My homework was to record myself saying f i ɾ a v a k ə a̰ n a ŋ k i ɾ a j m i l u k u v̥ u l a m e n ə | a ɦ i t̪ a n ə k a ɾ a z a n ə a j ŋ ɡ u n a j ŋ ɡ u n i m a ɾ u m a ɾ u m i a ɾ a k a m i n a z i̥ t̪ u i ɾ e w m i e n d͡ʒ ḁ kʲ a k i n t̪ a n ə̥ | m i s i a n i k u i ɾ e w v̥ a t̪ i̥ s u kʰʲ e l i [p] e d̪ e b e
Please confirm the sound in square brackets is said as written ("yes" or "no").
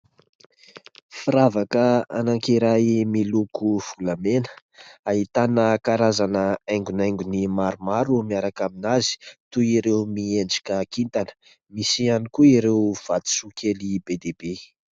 no